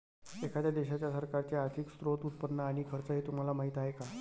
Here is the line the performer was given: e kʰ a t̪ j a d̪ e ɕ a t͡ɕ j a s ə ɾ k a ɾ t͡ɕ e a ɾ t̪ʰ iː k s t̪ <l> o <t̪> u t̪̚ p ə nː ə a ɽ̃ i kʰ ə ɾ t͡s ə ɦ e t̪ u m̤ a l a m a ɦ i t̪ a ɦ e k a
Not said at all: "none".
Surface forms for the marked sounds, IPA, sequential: ɾ, t̪

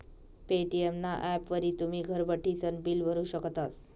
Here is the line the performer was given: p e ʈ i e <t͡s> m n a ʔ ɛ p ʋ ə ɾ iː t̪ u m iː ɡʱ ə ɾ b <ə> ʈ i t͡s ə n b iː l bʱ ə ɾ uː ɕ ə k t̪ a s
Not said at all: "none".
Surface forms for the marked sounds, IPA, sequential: none, ə

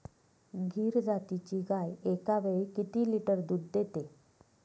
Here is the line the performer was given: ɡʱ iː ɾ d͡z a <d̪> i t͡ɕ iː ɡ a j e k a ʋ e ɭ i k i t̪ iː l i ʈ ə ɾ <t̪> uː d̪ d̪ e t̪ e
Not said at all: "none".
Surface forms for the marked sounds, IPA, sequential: t̪, d̪

